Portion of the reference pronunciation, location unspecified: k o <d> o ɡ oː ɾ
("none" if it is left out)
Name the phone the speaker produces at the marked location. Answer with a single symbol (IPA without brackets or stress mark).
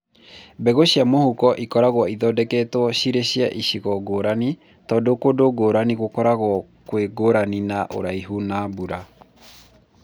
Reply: d